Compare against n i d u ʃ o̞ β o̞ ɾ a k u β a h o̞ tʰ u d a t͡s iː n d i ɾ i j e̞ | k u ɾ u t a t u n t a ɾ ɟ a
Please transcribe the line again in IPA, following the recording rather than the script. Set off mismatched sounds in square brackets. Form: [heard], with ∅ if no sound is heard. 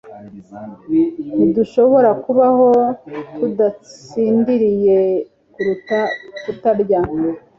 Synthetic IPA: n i d u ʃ o̞ β o̞ ɾ a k u β a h o̞ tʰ u d a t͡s iː n d i ɾ i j e̞ | k u ɾ u t a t u [∅] t a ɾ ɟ a